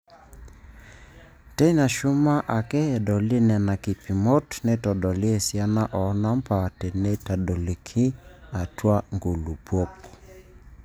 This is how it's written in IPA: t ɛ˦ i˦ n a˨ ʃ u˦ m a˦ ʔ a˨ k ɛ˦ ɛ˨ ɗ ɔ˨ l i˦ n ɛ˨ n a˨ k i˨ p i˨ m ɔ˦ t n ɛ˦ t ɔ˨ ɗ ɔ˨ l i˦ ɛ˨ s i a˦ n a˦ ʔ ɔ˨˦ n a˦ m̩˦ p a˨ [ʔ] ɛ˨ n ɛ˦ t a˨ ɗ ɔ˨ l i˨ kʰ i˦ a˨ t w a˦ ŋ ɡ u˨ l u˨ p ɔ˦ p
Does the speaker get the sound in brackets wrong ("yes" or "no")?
yes